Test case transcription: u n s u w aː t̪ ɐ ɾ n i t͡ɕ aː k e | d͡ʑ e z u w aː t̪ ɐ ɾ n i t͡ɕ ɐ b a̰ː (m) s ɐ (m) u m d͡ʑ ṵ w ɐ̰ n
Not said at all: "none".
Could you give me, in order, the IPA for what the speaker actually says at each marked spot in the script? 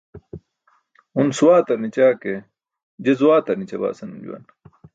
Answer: none, n

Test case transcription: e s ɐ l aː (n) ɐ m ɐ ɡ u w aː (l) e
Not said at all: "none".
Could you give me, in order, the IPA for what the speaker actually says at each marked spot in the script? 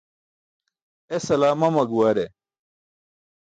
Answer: m, ɾ

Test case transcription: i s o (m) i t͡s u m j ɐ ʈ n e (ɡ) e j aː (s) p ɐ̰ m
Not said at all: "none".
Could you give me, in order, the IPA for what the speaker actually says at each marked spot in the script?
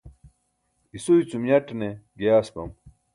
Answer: none, ɡ, s

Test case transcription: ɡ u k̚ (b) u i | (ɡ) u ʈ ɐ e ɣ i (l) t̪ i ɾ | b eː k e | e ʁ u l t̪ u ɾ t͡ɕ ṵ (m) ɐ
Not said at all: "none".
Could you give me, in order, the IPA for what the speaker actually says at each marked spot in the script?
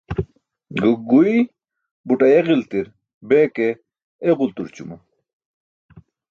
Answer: ɡ, b, l, m

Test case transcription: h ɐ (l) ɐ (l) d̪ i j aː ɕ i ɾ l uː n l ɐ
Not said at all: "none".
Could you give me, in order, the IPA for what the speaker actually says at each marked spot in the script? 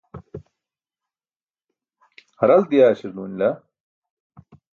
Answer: ɾ, l

